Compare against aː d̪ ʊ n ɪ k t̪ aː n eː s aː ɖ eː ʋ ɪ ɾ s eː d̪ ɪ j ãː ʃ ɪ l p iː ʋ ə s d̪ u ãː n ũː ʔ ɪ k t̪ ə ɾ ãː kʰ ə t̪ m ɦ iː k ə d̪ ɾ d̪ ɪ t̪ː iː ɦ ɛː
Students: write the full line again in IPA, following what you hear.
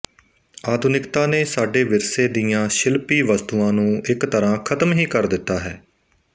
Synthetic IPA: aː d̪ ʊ n ɪ k t̪ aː n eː s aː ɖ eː ʋ ɪ ɾ s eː d̪ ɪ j ãː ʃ ɪ l p iː ʋ ə s t̪ u ãː n ũː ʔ ɪ k t̪ ə ɾ ãː kʰ ə t̪ m ɦ iː k ə ɾ d̪ ɪ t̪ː aː ɦ ɛː